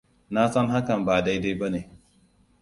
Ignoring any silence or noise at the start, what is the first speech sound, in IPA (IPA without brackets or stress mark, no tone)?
n